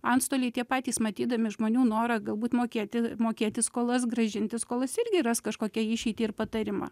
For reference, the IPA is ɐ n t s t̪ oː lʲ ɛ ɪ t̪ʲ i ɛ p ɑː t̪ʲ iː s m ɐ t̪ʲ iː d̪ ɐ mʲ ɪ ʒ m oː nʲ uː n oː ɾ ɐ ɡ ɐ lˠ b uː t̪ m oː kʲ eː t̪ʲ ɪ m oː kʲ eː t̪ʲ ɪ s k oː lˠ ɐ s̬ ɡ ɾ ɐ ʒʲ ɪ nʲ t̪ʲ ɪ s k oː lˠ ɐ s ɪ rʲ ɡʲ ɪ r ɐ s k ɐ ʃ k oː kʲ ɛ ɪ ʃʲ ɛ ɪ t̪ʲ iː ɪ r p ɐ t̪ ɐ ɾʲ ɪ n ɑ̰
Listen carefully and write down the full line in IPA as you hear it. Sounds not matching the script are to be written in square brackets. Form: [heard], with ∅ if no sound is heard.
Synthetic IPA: ɐ n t s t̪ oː lʲ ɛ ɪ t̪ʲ i ɛ p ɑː t̪ʲ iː s m ɐ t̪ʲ iː d̪ ɐ mʲ ɪ ʒ m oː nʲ uː n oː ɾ ɐ ɡ ɐ lˠ b uː t̪ m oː kʲ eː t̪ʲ ɪ m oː kʲ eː t̪ʲ ɪ s k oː lˠ ɐ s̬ ɡ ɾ ɐ ʒʲ ɪ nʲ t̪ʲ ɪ s k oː lˠ ɐ s ɪ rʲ ɡʲ ɪ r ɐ s k ɐ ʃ k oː kʲ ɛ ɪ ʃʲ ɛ ɪ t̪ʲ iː ɪ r p ɐ t̪ ɐ ɾʲ ɪ [m] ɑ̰

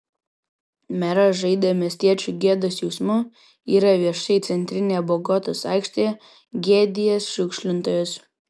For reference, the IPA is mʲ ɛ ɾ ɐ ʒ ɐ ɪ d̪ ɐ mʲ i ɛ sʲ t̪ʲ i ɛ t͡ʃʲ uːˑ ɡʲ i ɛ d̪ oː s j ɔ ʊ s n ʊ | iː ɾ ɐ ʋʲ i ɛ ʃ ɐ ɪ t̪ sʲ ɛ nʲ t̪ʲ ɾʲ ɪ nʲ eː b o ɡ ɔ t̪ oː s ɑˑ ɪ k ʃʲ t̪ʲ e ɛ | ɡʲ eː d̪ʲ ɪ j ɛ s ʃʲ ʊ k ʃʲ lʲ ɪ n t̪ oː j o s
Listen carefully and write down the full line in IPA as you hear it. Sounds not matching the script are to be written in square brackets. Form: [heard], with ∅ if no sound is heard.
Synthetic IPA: mʲ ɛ ɾ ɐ ʒ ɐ ɪ d̪ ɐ mʲ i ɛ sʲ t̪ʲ i ɛ t͡ʃʲ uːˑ ɡʲ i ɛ d̪ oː s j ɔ ʊ s [m] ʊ | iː ɾ ɐ ʋʲ i ɛ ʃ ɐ ɪ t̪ sʲ ɛ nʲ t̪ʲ ɾʲ ɪ nʲ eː b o ɡ ɔ t̪ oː s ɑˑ ɪ k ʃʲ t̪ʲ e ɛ | ɡʲ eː d̪ʲ ɪ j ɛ s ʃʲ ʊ k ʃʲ lʲ ɪ n t̪ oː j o s

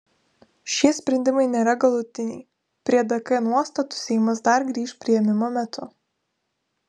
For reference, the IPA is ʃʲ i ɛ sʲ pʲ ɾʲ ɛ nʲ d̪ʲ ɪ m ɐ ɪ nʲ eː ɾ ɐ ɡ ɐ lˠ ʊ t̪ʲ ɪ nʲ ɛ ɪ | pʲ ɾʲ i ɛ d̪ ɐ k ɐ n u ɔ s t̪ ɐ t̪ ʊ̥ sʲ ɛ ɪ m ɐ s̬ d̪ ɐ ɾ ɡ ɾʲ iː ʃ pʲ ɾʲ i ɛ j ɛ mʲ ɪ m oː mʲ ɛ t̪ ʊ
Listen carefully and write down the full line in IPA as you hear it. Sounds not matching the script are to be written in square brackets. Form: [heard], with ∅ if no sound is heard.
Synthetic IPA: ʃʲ i ɛ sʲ pʲ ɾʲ ɛ nʲ d̪ʲ ɪ m ɐ ɪ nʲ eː ɾ ɐ ɡ ɐ lˠ ʊ t̪ʲ ɪ nʲ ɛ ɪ | pʲ ɾʲ i ɛ d̪ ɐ k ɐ n u ɔ s t̪ ɐ t̪ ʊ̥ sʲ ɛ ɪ m ɐ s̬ d̪ ɐ ɾ ɡ ɾʲ iː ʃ pʲ ɾʲ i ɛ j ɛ mʲ ɪ m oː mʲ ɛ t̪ ʊ

